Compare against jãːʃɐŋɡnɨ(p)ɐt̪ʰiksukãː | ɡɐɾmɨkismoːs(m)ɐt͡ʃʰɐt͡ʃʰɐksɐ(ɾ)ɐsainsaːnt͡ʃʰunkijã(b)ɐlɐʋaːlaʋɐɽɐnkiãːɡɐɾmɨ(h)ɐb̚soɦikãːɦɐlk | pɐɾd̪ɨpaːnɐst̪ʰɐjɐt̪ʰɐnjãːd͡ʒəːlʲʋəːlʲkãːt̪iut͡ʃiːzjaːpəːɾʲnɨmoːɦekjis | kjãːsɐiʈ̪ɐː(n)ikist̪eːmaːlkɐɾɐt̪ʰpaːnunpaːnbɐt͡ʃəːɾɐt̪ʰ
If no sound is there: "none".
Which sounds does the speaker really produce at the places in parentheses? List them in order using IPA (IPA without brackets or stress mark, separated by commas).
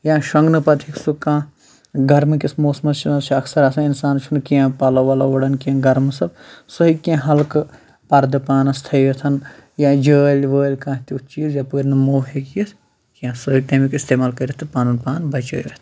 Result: p, m, ɾ, p, s, m